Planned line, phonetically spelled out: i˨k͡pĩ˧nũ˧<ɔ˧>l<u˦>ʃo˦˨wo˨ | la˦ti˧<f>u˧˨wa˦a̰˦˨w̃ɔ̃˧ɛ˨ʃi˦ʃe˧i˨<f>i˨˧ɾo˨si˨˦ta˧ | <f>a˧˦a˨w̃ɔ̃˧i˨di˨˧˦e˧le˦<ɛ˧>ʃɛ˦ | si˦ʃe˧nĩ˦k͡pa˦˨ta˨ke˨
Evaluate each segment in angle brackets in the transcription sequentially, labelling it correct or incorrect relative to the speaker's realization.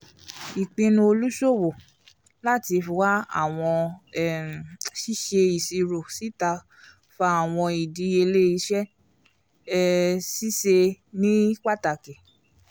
incorrect: o˧, correct, correct, incorrect: s, correct, incorrect: i˧

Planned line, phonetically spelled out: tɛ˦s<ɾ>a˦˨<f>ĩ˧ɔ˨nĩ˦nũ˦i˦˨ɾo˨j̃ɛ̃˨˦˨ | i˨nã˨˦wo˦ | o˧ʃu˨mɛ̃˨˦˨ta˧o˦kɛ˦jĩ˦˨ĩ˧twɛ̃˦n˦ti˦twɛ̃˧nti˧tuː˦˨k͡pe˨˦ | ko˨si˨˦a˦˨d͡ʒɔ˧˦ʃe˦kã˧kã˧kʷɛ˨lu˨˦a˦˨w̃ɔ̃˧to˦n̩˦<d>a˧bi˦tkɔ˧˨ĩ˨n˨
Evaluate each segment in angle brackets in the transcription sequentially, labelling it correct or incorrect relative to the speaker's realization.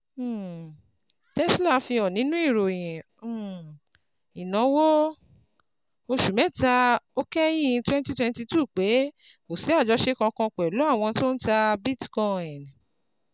incorrect: l, correct, incorrect: t

